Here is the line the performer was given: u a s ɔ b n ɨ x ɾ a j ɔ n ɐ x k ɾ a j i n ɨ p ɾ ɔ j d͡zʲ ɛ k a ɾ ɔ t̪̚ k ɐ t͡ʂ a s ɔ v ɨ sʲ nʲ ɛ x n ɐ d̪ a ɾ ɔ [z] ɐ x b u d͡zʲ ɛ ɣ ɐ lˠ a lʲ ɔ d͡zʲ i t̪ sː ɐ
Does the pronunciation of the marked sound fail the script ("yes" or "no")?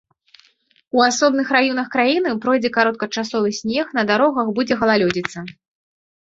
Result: yes